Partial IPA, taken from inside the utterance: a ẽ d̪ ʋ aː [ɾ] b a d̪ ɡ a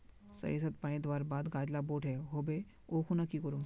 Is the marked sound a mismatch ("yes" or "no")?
no